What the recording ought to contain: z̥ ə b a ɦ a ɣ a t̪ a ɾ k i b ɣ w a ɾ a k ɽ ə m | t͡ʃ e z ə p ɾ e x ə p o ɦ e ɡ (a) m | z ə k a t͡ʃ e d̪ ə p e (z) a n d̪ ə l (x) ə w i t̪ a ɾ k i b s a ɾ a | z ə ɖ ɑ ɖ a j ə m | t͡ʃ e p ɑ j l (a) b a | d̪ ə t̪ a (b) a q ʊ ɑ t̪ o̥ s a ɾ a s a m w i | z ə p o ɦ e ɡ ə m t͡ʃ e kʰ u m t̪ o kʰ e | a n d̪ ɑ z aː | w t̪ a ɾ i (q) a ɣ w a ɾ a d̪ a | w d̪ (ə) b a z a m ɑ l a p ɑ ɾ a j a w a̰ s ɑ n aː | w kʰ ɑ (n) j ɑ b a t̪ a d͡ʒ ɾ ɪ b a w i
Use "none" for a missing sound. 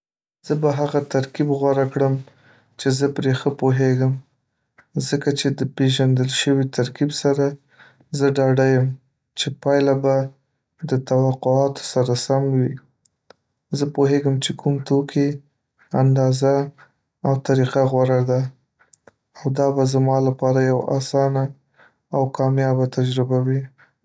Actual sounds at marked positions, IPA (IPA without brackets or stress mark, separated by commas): ə, ʒ, ʃ, a, w, q, ɑ, m